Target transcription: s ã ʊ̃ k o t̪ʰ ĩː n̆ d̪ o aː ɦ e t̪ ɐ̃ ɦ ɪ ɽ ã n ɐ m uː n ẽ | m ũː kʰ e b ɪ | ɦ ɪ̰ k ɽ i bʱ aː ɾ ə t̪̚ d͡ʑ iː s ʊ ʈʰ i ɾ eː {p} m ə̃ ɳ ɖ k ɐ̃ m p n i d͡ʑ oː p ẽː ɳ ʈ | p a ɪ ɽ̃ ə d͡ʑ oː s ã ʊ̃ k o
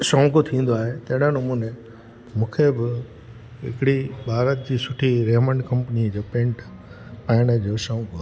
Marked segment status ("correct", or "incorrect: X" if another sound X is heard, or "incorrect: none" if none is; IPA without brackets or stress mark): incorrect: none